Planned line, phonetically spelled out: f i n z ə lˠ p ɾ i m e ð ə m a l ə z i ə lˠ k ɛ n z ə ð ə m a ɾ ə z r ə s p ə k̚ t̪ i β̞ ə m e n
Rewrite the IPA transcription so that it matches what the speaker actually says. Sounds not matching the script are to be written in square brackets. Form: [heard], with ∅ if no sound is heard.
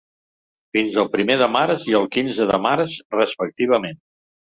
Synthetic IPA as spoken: f i n z ə lˠ p ɾ i m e ð ə m a [ɾ] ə z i ə lˠ k [i] n z ə ð ə m a ɾ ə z r ə s p ə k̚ t̪ i β̞ ə m e n